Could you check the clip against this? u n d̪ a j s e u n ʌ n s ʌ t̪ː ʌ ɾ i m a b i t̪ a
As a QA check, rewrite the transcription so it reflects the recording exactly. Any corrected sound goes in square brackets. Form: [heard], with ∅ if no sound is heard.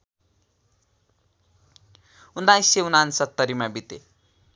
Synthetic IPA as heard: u n d̪ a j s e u n [a] n s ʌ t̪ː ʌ ɾ i m a b i t̪ [e]